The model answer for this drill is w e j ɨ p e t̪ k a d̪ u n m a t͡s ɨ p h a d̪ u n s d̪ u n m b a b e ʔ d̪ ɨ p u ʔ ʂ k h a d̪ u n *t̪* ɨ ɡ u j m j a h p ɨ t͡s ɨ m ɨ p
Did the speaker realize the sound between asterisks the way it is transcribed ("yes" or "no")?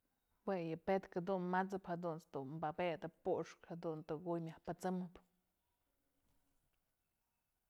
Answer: yes